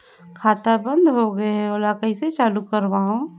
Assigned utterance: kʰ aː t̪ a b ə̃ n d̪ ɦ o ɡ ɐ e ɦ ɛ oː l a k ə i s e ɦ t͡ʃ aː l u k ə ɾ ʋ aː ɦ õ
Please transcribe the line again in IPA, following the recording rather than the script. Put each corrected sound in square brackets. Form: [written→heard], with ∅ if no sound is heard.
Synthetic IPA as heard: kʰ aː t̪ a b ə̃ n d̪ ɦ o ɡ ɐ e ɦ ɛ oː l a k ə i s e [ɦ→∅] t͡ʃ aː l u k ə ɾ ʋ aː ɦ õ